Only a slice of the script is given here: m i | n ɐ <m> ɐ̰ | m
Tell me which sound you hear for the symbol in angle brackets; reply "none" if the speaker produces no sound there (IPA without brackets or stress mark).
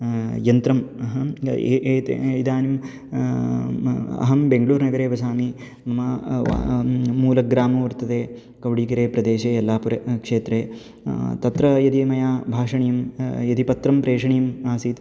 m